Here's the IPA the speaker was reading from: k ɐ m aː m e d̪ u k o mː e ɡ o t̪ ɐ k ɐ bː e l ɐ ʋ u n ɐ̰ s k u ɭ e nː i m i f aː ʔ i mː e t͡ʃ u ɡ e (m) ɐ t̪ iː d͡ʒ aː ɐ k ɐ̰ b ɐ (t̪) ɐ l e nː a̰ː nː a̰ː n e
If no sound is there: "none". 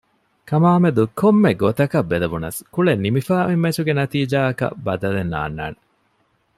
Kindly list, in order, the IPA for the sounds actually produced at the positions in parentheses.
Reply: n, d̪

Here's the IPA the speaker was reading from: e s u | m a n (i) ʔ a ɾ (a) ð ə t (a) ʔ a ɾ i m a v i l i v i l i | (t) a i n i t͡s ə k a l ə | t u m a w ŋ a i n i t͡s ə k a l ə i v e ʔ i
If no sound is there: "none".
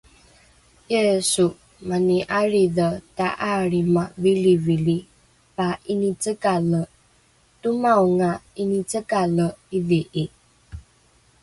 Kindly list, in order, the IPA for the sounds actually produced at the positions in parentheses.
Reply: i, i, a, p

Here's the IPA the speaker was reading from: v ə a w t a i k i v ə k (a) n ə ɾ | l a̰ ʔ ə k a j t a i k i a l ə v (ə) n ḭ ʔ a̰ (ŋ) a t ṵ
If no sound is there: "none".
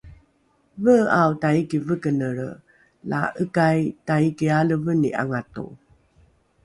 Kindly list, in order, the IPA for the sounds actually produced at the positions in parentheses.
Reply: ə, ə, ŋ

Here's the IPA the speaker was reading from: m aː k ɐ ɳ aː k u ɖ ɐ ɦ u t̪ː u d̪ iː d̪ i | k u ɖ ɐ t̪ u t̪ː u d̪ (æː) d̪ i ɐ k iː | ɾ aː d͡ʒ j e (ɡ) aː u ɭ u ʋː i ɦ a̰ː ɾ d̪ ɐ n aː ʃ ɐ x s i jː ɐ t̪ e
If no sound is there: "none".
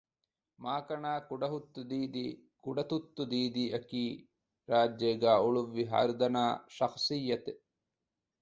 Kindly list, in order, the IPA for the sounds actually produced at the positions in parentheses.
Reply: iː, ɡ

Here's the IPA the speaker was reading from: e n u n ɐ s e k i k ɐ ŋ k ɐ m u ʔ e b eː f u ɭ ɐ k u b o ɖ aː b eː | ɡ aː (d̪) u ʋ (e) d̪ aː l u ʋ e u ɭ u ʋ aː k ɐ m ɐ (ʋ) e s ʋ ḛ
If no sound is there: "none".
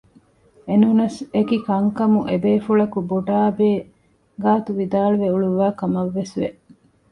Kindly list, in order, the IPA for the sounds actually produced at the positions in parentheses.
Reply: t̪, i, ʋː

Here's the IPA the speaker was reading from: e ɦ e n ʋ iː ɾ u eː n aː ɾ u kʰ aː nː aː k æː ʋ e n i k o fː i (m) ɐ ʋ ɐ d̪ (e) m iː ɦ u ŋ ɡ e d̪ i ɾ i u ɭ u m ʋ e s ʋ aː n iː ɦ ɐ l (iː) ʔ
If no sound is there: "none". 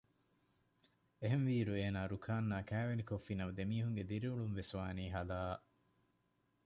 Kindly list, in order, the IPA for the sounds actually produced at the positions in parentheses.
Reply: n, e, aː

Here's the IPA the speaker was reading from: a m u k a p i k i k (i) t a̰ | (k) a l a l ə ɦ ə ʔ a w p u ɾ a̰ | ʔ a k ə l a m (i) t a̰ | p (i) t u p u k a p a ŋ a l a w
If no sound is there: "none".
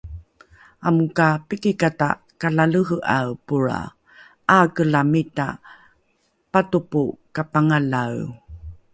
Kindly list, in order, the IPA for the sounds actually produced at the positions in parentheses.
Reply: a, k, i, a

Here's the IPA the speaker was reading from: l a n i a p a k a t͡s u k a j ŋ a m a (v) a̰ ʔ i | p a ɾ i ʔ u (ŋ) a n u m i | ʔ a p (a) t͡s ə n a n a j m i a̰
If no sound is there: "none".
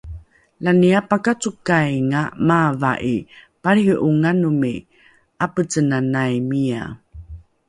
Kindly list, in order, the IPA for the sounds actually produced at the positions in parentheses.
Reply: v, ŋ, ə

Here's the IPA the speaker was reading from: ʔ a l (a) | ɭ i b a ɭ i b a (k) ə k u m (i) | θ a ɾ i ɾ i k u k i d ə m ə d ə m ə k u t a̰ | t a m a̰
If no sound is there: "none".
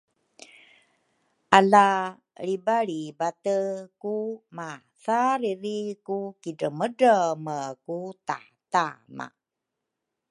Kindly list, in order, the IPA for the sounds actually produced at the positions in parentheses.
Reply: a, t, a

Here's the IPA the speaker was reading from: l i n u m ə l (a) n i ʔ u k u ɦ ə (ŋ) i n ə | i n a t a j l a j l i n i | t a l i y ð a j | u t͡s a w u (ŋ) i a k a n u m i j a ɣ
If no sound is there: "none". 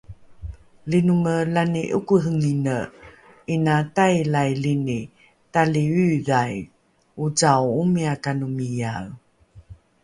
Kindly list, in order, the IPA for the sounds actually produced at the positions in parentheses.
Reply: a, ŋ, m

